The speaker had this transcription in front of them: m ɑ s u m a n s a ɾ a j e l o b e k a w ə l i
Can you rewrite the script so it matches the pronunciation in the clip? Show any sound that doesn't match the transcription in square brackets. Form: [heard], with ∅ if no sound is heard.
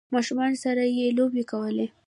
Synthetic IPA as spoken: m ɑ [ʃ] u m [ɑ] n s a ɾ a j e l o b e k a w ə l [e]